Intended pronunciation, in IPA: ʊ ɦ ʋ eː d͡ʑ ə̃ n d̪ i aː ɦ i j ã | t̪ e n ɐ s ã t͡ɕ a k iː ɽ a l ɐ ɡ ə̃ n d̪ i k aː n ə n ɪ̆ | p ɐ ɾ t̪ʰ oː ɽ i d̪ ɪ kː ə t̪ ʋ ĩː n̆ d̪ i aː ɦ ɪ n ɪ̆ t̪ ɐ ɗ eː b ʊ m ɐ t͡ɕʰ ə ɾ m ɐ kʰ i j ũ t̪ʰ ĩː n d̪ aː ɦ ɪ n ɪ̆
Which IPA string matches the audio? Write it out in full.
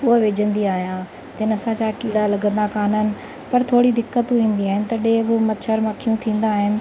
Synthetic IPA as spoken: ʊ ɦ ʋ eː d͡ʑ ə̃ n d̪ i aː ɦ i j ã | t̪ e n ɐ s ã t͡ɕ a k iː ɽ a l ɐ ɡ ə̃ n d̪ a k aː n ə n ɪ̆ | p ɐ ɾ t̪ʰ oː ɽ i d̪ ɪ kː ə t̪ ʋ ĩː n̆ d̪ i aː ɦ ɪ n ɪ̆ t̪ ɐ ɗ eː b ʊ m ɐ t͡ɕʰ ə ɾ m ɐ kʰ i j ũ t̪ʰ ĩː n d̪ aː ɦ ɪ n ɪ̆